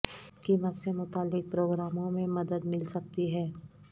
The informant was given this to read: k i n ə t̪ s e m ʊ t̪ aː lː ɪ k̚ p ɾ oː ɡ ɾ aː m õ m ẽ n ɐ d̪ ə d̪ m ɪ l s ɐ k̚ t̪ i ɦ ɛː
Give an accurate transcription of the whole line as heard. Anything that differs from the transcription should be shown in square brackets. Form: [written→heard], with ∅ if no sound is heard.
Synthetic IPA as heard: k i [n→m] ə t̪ s e m ʊ t̪ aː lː ɪ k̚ p ɾ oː ɡ ɾ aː m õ m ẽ [n→m] ɐ d̪ ə d̪ m ɪ l s ɐ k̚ t̪ i ɦ ɛː

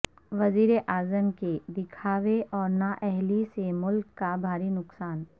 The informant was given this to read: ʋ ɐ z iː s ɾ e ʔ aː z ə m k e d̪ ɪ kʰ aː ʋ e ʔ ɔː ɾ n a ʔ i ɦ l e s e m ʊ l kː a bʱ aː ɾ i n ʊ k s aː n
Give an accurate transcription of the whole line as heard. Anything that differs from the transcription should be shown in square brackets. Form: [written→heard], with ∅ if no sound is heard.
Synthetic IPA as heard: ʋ ɐ z iː [s→∅] ɾ e ʔ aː z ə m k e d̪ ɪ kʰ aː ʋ e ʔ ɔː ɾ n a ʔ [i→ɛ] ɦ l [e→i] s e m ʊ l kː a bʱ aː ɾ i n ʊ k s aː n

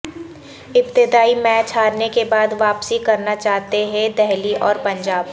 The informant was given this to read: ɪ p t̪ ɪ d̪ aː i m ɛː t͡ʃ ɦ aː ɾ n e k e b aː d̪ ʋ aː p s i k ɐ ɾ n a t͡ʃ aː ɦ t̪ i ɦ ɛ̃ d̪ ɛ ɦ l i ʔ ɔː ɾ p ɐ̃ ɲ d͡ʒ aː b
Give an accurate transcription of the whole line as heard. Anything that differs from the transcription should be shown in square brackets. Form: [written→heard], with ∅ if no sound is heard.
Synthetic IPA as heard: ɪ p t̪ ɪ d̪ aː i m ɛː t͡ʃ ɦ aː ɾ n e k e b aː d̪ ʋ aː p s i k ɐ ɾ n a t͡ʃ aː ɦ t̪ [i→e] ɦ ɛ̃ d̪ ɛ ɦ l i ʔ ɔː ɾ p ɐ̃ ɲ d͡ʒ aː b

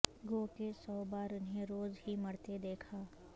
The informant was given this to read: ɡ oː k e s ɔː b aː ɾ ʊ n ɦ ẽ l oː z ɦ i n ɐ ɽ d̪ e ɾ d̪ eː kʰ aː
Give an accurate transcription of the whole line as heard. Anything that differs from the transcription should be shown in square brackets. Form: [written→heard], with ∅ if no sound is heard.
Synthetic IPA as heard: ɡ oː k e s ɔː b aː ɾ ʊ n ɦ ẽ [l→ɾ] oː z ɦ i [n→m] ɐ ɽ [d̪→t̪] e [ɾ→∅] d̪ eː kʰ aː

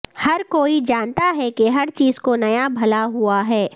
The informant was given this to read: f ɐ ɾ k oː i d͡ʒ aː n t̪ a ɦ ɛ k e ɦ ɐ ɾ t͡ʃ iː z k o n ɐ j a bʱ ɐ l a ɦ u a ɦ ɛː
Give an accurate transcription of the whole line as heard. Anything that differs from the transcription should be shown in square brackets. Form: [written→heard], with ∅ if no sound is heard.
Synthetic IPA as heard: [f→h] ɐ ɾ k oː i d͡ʒ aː n t̪ a ɦ ɛ k e ɦ ɐ ɾ t͡ʃ iː z k o n ɐ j a bʱ ɐ l a ɦ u a ɦ ɛː

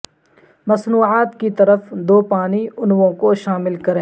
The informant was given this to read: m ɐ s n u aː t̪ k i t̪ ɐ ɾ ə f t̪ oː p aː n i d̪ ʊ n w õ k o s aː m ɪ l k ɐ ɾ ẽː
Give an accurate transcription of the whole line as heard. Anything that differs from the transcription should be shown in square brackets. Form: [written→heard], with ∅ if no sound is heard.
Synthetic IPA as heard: m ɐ s n [u→uː] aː t̪ k i t̪ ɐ ɾ ə f [t̪→d̪] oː p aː n i [d̪→∅] ʊ n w õ k o [s→ʃ] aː m ɪ l k ɐ ɾ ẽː

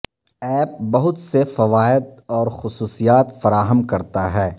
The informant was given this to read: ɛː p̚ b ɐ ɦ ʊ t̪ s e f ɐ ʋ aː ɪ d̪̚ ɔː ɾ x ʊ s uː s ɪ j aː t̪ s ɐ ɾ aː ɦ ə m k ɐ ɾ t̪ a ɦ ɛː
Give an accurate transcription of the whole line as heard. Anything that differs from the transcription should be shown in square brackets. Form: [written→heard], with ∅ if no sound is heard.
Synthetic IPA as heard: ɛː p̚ b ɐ ɦ ʊ t̪ s e f ɐ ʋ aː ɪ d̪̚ ɔː ɾ x ʊ s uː s [ɪ→i] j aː t̪ [s→f] ɐ ɾ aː ɦ ə m k ɐ ɾ t̪ a ɦ ɛː

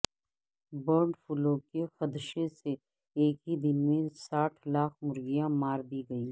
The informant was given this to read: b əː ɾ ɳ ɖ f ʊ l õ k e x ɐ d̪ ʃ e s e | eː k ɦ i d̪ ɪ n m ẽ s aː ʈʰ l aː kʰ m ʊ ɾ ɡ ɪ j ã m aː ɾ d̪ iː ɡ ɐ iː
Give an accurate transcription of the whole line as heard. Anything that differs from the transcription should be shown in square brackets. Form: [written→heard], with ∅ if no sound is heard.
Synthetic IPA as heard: b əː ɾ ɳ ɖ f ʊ l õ k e x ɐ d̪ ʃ e s e | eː k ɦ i d̪ ɪ n m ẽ s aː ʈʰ l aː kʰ m ʊ ɾ ɡ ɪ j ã m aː ɾ d̪ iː ɡ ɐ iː

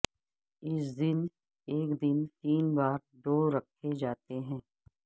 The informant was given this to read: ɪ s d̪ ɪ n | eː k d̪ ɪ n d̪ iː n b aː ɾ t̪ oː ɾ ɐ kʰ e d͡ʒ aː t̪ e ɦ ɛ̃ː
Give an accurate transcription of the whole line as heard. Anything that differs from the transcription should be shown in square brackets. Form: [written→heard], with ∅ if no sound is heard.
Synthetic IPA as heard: ɪ s d̪ ɪ n | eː k d̪ ɪ n [d̪→t̪] iː n b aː ɾ [t̪→d̪] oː ɾ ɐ kʰ e d͡ʒ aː t̪ e ɦ ɛ̃ː

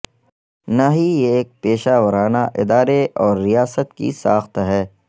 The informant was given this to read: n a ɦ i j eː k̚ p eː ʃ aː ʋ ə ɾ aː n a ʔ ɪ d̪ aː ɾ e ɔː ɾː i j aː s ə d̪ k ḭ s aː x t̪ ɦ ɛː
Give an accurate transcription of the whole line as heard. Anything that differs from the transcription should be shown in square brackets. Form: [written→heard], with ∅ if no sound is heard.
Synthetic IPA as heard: n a ɦ i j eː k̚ p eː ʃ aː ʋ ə ɾ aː n a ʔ ɪ d̪ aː ɾ e ɔː ɾː i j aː s ə [d̪→t̪] k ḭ s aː x t̪ ɦ ɛː

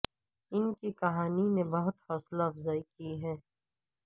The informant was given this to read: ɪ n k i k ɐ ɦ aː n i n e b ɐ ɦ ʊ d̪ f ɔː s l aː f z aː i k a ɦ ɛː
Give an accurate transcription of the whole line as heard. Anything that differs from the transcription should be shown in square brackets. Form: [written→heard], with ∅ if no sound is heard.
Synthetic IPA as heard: ɪ n k i k ɐ ɦ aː n i n e b ɐ ɦ ʊ [d̪→t̪] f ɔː s l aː f z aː i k [a→i] ɦ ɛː

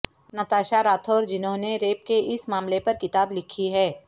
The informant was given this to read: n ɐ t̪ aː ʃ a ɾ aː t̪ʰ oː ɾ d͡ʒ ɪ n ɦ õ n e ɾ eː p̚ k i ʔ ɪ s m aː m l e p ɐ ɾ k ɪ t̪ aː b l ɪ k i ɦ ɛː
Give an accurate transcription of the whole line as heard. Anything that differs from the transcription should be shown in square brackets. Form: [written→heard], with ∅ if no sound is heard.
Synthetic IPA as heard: n ɐ t̪ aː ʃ a ɾ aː t̪ʰ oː ɾ d͡ʒ ɪ n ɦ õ n e ɾ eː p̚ k [i→e] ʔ ɪ s m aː m l e p ɐ ɾ k ɪ t̪ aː b l ɪ [k→kʰ] i ɦ ɛː

